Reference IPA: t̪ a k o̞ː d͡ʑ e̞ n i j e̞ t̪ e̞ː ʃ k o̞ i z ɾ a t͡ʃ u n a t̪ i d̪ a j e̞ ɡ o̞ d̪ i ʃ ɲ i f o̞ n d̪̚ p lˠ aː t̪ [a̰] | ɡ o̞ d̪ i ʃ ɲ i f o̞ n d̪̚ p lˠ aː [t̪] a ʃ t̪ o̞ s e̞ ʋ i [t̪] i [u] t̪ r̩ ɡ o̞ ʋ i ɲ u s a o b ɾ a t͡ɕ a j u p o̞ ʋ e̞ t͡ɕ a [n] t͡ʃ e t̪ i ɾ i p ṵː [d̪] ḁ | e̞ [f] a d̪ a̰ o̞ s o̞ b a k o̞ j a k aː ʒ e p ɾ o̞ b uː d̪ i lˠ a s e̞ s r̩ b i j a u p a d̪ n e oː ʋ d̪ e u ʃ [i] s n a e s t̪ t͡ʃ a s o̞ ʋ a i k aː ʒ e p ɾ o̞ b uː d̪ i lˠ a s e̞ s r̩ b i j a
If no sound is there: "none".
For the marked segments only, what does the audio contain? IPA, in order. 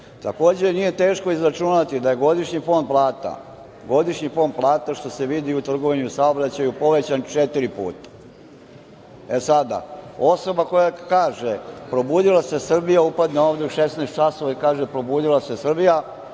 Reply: a̰, t̪, d̪, u, n, t̪, s, e

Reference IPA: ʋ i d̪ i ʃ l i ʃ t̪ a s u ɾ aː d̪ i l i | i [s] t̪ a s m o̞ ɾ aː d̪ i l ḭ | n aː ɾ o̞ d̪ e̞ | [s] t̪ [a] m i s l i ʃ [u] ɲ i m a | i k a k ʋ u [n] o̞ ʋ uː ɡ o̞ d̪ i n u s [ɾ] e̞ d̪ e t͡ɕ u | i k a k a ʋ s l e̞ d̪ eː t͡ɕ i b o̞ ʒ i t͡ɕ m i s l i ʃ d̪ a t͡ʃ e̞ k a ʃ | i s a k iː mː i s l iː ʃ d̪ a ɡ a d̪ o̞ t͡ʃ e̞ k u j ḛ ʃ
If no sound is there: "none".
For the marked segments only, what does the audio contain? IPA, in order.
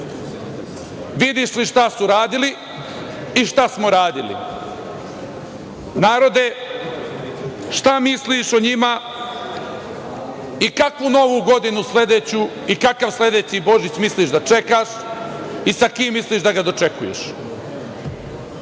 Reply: ʃ, ʃ, a, o, n, l

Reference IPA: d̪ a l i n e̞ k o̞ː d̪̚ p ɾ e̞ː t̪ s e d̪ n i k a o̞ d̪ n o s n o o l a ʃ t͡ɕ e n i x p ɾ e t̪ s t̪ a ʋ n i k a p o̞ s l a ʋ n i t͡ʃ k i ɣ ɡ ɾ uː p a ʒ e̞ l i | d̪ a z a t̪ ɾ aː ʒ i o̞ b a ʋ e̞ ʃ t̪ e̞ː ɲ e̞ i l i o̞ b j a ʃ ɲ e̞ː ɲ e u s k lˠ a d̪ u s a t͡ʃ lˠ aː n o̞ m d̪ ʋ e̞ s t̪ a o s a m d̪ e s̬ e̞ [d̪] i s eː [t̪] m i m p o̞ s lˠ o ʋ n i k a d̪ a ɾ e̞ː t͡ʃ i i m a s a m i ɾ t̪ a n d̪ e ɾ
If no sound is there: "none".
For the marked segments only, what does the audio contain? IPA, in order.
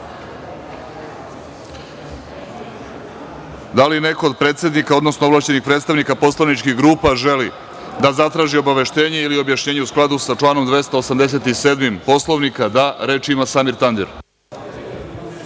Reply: t̪, d̪

